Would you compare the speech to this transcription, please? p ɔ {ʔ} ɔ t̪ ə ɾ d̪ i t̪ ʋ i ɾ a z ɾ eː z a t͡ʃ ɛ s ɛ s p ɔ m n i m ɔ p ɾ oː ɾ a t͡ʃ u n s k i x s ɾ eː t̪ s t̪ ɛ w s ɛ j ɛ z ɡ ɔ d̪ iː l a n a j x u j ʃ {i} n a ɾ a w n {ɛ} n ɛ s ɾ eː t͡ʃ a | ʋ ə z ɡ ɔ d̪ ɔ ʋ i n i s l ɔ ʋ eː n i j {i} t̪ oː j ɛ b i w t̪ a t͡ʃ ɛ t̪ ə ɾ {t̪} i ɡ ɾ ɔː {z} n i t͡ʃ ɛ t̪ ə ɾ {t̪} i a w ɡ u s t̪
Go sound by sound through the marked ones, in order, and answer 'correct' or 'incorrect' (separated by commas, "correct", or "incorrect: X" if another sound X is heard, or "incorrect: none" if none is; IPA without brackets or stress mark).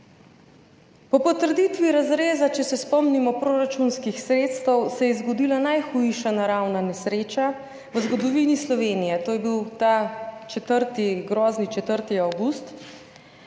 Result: incorrect: p, incorrect: a, incorrect: a, incorrect: ɛ, correct, correct, correct